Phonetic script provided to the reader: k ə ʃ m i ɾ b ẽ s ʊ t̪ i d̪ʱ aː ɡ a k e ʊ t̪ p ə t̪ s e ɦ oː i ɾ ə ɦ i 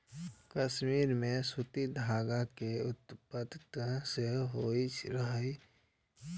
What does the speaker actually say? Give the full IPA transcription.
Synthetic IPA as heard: k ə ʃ m iː ɾ m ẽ s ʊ t̪ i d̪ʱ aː ɡ a k e ʊ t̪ p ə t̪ s e ɦ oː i ɾ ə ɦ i